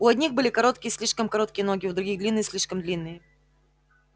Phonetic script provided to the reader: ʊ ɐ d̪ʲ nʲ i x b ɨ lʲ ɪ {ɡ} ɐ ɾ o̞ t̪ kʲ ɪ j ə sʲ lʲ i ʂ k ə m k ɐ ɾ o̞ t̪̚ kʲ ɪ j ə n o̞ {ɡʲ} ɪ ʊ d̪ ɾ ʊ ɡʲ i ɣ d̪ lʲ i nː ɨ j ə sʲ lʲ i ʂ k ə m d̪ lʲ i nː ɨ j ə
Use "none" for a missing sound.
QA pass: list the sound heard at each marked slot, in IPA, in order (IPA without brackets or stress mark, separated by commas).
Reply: k, ɡʲ